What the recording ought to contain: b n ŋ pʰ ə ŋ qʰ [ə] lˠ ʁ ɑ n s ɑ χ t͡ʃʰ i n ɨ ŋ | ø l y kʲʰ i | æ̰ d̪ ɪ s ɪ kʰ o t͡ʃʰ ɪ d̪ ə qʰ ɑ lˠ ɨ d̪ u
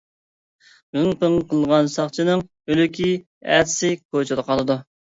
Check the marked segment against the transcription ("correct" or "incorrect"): correct